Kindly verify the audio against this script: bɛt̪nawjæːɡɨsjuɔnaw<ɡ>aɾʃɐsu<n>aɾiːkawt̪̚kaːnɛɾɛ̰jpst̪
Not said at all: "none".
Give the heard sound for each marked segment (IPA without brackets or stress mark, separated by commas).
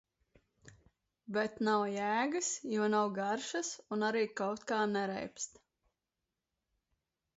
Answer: ɡ, n